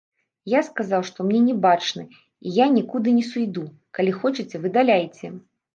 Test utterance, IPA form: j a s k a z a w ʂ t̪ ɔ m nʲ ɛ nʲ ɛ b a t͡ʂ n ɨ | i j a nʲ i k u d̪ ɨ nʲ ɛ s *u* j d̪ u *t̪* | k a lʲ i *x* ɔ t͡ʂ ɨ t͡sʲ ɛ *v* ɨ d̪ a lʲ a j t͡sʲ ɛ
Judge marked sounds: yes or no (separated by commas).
yes, no, yes, yes